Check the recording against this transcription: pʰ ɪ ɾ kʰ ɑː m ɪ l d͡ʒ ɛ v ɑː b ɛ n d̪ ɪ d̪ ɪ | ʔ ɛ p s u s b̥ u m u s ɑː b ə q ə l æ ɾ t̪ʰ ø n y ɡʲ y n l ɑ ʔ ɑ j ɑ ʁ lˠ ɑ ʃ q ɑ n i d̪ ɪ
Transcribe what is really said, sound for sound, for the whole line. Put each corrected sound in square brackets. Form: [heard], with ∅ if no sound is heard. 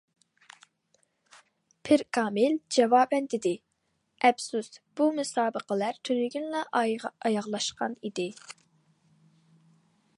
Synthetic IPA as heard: pʰ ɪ ɾ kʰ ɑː m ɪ l d͡ʒ ɛ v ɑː b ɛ n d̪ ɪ d̪ ɪ | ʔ ɛ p s u s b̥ u m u s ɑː b ə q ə l æ ɾ t̪ʰ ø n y ɡʲ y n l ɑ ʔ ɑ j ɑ ʁ lˠ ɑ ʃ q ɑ n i d̪ ɪ